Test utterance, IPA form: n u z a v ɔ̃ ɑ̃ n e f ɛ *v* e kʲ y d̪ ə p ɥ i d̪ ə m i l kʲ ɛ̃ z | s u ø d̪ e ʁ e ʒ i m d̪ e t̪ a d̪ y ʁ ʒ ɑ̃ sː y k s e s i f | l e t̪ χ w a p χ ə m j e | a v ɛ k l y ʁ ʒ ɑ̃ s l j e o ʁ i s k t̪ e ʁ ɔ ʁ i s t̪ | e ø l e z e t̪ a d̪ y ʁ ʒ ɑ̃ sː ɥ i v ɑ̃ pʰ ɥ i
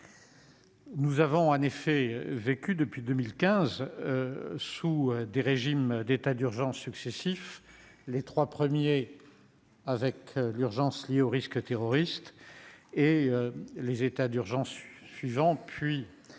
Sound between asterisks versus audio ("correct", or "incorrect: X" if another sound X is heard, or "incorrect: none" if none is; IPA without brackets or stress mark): correct